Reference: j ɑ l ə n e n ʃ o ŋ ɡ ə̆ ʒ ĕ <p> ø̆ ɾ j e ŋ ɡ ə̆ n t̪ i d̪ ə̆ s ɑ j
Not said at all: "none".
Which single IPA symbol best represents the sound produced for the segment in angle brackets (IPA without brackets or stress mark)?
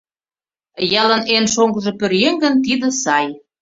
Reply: p